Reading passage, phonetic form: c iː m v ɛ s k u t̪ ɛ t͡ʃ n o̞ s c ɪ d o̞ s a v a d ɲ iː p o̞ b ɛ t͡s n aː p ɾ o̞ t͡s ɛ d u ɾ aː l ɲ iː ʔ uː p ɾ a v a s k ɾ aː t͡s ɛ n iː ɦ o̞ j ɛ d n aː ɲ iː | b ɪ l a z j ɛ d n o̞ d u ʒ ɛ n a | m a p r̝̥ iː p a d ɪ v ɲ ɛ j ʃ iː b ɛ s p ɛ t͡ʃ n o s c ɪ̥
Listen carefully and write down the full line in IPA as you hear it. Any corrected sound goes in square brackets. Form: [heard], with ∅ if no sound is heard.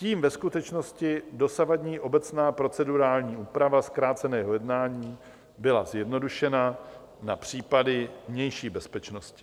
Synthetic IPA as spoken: c iː m v ɛ s k u t̪ ɛ t͡ʃ n o̞ s c ɪ d o̞ s a v a d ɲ iː [ʔ] o̞ b ɛ t͡s n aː p ɾ o̞ t͡s ɛ d u ɾ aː l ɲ iː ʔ uː p ɾ a v a s k ɾ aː t͡s ɛ n [ɛː] ɦ o̞ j ɛ d n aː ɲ iː | b ɪ l a z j ɛ d n o̞ d u [ʃ] ɛ n a | [n] a p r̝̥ iː p a d ɪ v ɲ ɛ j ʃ iː b ɛ s p ɛ t͡ʃ n o s c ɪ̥

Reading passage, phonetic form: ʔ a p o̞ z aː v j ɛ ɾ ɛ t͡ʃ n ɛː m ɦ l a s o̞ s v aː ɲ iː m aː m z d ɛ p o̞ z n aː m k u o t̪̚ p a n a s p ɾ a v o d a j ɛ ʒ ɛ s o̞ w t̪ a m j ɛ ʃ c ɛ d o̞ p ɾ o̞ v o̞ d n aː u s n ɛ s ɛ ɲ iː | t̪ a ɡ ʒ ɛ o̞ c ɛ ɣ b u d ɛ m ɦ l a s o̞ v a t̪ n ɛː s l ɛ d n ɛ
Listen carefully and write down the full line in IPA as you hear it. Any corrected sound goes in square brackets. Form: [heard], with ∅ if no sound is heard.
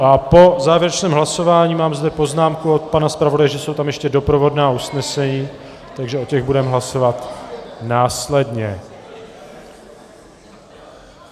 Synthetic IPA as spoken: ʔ a p o̞ z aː v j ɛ ɾ ɛ t͡ʃ n ɛː m ɦ l a s o̞ [∅] v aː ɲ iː m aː m z d ɛ p o̞ z n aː m k u o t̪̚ p a n a s p ɾ a v o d a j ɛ ʒ ɛ s o̞ w t̪ a m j ɛ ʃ c ɛ d o̞ p ɾ o̞ v o̞ d n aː u s n ɛ s ɛ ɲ iː | t̪ a ɡ ʒ ɛ o̞ c ɛ ɣ b u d ɛ m ɦ l a s o̞ v a t̪ n [aː] s l ɛ d [ɲ] ɛ

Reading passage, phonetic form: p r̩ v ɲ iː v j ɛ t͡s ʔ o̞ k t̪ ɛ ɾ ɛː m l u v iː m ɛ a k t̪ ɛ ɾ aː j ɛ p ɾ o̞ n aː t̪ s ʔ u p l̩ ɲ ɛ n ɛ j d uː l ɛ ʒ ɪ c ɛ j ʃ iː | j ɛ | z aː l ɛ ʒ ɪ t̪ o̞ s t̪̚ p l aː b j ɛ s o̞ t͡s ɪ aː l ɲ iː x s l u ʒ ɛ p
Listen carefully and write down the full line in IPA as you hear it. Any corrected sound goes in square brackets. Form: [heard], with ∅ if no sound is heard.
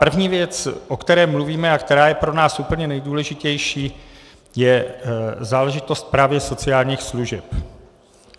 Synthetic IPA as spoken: p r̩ v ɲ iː v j ɛ t͡s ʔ o̞ k t̪ ɛ ɾ ɛː m l u v iː m ɛ a k t̪ ɛ ɾ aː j ɛ p ɾ o̞ n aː [∅] s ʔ u p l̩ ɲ ɛ n ɛ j d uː l ɛ ʒ ɪ c ɛ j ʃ iː | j ɛ | z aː l ɛ ʒ ɪ t̪ o̞ s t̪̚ p [ɾ] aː [v] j ɛ s o̞ t͡s ɪ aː l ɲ iː x s l u ʒ ɛ p

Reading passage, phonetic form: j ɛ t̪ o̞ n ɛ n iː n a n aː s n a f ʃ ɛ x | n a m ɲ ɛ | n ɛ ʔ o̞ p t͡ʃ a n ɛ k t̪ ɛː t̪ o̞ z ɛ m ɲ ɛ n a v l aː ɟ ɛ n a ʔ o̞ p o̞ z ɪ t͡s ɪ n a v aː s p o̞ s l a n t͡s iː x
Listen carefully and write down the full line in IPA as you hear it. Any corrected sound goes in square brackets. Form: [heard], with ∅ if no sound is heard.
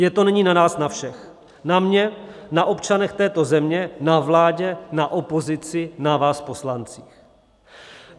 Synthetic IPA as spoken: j ɛ t̪ o̞ n ɛ [ɲ] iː n a n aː s n a f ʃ ɛ x | n a m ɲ ɛ | n [a] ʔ o̞ p t͡ʃ a n ɛ [x] t̪ ɛː t̪ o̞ z ɛ m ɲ ɛ n a v l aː ɟ ɛ n a ʔ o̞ p o̞ z ɪ t͡s ɪ n a v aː s p o̞ s l a n t͡s iː x

